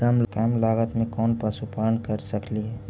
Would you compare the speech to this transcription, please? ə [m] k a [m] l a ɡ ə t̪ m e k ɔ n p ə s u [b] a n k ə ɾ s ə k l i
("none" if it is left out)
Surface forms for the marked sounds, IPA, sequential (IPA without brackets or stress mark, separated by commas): m, m, p